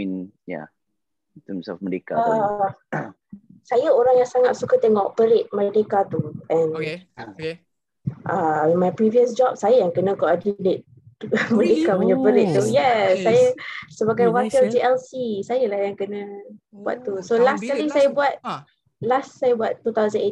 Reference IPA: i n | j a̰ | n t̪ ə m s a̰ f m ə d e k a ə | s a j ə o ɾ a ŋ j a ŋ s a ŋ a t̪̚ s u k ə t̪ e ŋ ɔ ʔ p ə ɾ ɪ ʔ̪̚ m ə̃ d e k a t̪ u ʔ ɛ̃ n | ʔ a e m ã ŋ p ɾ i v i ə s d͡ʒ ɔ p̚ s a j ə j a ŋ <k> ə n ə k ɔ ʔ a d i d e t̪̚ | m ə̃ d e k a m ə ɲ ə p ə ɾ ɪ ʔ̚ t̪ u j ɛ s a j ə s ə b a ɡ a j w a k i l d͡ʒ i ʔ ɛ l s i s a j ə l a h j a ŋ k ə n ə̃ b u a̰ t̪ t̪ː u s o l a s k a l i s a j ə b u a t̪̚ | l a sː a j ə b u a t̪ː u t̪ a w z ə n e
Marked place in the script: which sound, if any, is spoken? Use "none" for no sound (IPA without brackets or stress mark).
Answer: k